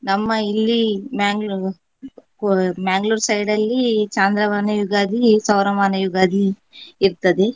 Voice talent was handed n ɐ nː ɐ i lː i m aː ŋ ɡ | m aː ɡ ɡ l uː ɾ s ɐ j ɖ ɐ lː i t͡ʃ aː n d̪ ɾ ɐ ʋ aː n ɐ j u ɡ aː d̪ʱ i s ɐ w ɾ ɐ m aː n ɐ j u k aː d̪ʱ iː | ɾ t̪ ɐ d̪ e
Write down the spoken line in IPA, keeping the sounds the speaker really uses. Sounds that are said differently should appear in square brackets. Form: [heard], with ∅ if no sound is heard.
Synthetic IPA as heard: n ɐ [mː] ɐ i lː i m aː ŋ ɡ | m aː [ŋ] ɡ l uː ɾ s ɐ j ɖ ɐ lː i t͡ʃ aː n d̪ ɾ ɐ ʋ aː n ɐ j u ɡ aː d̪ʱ i s ɐ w ɾ ɐ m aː n ɐ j u [ɡ] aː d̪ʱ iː | ɾ t̪ ɐ d̪ e